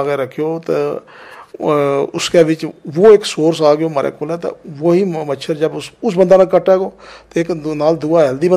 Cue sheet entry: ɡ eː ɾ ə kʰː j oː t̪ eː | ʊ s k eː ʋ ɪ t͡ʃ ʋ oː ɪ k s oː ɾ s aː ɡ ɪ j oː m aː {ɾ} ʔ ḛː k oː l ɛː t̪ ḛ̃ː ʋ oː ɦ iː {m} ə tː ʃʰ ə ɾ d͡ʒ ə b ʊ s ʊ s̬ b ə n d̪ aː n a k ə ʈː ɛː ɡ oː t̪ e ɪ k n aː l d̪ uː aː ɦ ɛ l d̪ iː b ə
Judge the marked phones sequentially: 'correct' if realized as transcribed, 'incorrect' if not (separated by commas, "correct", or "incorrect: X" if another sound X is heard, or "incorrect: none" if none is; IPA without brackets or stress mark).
correct, correct